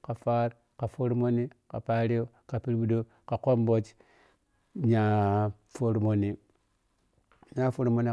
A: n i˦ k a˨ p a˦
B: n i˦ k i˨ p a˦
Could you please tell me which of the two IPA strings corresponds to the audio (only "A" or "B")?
A